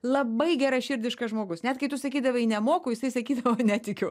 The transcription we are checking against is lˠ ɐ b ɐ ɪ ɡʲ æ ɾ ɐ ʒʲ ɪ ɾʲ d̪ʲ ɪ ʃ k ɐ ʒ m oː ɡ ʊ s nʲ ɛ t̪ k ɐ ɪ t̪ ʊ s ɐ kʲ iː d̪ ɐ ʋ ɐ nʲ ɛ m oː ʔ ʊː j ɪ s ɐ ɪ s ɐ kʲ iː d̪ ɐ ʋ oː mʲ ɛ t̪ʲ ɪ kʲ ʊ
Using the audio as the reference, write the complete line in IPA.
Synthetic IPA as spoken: lˠ ɐ b ɐ ɪ ɡʲ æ ɾ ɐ ʃʲ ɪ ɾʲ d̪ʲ ɪ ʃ k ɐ ʒ m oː ɡ ʊ s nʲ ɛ t̪ k ɐ ɪ t̪ ʊ s ɐ kʲ iː d̪ ɐ ʋ ɐ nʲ ɛ m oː k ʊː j ɪ s ɐ ɪ s ɐ kʲ iː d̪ ɐ ʋ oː nʲ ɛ t̪ʲ ɪ kʲ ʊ